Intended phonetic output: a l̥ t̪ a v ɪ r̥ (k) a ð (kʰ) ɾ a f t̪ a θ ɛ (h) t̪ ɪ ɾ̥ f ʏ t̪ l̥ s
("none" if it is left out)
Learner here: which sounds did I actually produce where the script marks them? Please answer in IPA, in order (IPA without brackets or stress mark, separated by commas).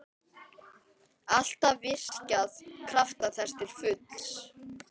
c, kʰ, s